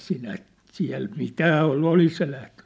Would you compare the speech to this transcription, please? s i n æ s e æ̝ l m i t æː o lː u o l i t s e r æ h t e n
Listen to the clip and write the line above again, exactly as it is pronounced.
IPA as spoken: s i n æ s i æ̝ l m i t æː o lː u o l i s s e l æ h t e n